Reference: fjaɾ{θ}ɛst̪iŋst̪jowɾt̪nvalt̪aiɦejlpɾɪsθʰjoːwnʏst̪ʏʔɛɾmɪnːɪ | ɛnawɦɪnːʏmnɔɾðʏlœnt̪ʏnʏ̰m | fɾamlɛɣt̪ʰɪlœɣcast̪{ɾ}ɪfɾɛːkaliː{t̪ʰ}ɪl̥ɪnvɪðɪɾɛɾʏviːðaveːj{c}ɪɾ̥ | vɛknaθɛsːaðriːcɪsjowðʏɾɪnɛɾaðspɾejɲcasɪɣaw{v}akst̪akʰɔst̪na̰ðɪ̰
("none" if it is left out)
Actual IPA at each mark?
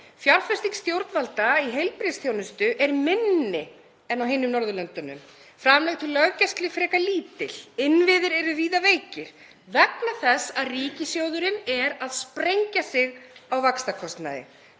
f, l, t̪, c, v

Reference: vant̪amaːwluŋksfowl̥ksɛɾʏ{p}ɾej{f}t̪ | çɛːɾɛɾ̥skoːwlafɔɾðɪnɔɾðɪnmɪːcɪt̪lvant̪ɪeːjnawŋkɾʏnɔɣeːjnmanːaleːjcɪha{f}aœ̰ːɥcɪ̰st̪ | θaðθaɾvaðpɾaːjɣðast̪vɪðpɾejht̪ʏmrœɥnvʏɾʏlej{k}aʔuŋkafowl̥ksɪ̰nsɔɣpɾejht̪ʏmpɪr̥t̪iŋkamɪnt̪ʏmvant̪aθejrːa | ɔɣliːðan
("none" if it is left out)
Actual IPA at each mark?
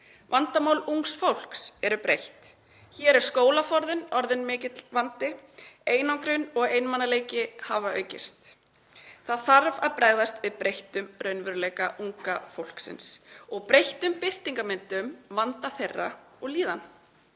p, h, v, k

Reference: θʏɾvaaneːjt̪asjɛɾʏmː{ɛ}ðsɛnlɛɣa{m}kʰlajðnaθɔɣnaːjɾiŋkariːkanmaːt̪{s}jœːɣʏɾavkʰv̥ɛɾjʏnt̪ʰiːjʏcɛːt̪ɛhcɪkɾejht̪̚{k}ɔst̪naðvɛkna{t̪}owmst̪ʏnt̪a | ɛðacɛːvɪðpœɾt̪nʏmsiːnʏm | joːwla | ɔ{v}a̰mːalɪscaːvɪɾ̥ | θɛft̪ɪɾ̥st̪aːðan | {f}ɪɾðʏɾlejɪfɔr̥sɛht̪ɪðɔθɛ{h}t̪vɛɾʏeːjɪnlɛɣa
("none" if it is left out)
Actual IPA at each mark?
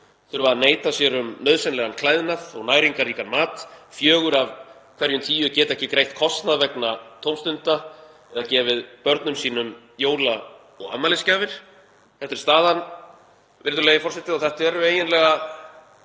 œ, n, f, kʰ, t̪ʰ, ɣ, v, h

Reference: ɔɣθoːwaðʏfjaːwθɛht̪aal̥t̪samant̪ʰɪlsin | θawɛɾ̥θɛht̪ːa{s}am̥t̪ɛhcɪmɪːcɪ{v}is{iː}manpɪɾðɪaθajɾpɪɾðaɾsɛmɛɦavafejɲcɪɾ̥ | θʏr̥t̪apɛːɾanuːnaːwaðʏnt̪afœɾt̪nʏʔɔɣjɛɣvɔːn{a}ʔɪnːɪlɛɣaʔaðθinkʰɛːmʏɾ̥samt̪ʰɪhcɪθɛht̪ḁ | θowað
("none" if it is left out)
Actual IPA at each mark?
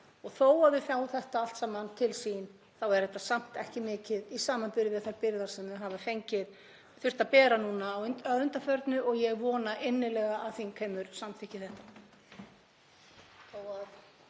s, ð, aː, a

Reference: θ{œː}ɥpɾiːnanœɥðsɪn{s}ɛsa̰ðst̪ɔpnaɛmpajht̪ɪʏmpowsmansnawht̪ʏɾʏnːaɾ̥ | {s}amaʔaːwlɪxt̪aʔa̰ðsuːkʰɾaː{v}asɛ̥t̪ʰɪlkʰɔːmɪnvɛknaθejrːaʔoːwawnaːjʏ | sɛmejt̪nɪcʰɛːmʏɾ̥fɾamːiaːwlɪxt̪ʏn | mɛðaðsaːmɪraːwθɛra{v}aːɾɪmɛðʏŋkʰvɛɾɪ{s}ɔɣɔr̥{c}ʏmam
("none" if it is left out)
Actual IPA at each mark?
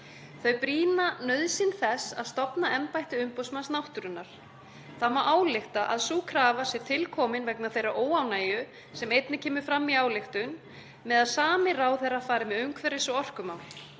œ, θ, θ, v, f, s, k

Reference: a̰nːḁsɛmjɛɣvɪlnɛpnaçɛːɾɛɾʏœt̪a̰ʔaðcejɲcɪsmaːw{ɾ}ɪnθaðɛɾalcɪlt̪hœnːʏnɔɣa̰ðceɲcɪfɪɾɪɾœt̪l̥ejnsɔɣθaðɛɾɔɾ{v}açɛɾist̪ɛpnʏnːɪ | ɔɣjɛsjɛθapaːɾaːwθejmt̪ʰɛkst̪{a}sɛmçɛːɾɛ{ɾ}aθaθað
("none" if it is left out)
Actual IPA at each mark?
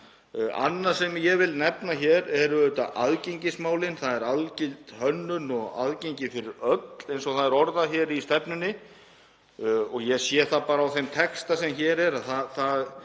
l, ð, a, ɾ

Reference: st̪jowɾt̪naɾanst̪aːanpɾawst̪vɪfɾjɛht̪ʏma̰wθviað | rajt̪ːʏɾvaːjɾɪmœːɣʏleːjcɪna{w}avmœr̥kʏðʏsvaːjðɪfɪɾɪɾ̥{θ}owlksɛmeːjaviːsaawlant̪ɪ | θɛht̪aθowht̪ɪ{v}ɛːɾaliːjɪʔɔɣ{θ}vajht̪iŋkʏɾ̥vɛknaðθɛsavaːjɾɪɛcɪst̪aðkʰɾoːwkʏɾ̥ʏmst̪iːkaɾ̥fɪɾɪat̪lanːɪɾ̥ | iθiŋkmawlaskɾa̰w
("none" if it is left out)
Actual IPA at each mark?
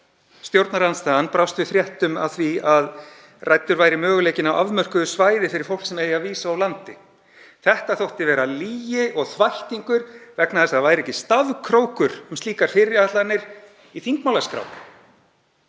w, f, v, θ

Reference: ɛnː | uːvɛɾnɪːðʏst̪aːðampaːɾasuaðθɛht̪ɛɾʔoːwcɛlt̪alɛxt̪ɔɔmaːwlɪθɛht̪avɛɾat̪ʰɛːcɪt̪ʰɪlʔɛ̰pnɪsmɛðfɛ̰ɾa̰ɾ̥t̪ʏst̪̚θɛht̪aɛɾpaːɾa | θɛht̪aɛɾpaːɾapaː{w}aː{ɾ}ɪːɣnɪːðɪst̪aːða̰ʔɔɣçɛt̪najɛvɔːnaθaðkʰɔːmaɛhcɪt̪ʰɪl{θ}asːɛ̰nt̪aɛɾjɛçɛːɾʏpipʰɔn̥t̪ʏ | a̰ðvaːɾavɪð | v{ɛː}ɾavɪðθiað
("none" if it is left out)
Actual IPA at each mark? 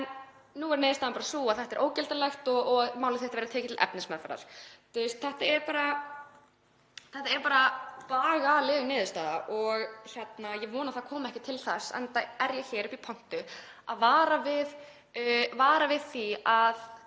ɣ, l, θ, aː

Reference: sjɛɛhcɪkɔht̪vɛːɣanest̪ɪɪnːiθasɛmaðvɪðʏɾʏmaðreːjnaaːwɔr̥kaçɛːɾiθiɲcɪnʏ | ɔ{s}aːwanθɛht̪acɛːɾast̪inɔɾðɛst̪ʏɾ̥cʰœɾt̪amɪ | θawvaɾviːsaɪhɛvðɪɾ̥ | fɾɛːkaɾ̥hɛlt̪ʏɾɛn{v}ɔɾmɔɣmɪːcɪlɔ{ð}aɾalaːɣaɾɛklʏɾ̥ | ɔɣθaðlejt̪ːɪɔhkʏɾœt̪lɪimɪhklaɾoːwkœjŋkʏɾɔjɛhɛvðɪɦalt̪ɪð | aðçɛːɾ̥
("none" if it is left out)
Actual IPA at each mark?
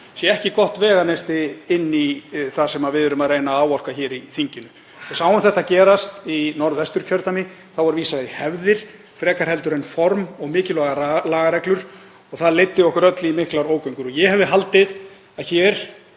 s, f, ɣ

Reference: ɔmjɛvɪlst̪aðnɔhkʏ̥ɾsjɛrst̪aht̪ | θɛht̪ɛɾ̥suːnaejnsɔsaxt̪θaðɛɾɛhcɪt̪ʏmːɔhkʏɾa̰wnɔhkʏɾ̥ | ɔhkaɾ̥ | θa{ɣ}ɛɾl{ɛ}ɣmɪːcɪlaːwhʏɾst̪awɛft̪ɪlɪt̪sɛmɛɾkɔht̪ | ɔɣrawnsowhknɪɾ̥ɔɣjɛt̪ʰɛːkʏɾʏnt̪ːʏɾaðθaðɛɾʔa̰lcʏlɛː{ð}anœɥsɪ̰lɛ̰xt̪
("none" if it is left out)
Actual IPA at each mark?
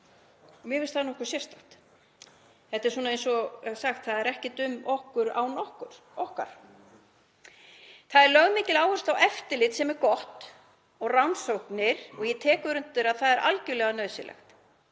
ð, œ, ɣ

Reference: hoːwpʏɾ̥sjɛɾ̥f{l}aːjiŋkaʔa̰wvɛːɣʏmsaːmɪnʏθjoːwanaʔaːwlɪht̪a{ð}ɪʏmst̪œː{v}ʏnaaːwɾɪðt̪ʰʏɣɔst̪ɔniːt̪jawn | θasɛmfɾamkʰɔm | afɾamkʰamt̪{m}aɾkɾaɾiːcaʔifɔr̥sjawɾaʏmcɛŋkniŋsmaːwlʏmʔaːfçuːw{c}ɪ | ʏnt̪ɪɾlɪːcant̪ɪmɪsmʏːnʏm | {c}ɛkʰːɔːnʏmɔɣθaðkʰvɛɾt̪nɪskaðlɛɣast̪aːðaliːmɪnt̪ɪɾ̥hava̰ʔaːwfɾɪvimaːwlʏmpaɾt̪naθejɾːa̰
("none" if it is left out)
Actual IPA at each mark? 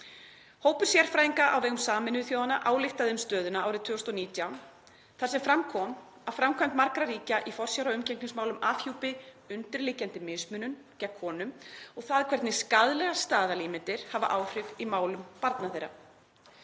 ɾ, ð, ð, m, p, c

